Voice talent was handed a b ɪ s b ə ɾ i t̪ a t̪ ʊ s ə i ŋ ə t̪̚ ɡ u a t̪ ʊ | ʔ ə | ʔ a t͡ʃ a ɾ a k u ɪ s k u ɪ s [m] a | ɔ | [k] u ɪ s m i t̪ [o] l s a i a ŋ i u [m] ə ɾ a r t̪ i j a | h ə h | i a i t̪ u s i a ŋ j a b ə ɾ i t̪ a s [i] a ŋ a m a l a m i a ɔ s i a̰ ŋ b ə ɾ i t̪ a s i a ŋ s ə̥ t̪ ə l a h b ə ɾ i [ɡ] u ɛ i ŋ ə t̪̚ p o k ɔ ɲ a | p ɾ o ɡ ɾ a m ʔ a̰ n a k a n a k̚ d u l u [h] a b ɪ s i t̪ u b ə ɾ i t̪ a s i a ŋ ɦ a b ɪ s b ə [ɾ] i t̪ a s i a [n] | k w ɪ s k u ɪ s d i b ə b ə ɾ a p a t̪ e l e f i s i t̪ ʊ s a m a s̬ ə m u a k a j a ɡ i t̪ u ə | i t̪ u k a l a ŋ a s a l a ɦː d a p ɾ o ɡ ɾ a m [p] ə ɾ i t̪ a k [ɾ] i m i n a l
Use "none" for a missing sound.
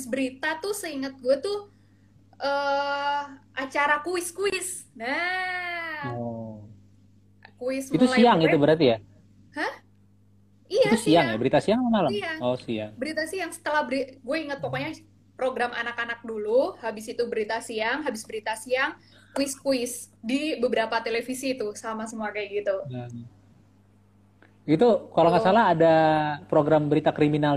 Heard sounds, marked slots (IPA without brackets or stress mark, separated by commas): n, k, u, b, i, ɡ, h, ɾ, ŋ, b, ɾ